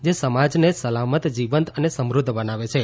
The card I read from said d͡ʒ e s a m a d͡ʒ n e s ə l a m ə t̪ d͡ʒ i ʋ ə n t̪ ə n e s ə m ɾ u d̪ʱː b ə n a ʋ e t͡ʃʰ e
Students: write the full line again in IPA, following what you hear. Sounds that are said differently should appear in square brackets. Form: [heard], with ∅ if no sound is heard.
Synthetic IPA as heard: d͡ʒ e s [ə] m a d͡ʒ n e s ə l a m ə t̪ d͡ʒ i ʋ ə n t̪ ə n e s ə m ɾ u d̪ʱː b ə n a ʋ e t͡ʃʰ e